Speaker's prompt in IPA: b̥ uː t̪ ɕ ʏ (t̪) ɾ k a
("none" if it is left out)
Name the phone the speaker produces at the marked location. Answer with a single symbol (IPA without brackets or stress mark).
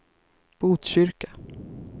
none